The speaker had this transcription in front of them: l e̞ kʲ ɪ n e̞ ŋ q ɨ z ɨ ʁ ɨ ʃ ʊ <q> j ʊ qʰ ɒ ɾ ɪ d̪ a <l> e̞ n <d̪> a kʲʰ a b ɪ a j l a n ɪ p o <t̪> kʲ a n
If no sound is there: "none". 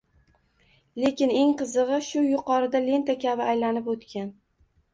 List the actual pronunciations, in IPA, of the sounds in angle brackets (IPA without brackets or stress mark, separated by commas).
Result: none, l, t̪, t̪